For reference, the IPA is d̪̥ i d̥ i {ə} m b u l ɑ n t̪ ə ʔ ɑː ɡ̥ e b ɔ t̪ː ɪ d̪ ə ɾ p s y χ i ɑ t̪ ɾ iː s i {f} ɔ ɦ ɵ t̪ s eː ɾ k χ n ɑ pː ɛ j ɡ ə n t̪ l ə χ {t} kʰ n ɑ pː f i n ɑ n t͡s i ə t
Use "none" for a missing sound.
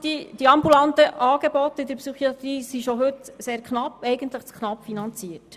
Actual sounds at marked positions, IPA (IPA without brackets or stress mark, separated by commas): ɑ, ʃ, t͡s